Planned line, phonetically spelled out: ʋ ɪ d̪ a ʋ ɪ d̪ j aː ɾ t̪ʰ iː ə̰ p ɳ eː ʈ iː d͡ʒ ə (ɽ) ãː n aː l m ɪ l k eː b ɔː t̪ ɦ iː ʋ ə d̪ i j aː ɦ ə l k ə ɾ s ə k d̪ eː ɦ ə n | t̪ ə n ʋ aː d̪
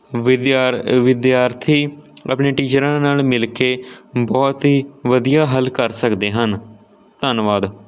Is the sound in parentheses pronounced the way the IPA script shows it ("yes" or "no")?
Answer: no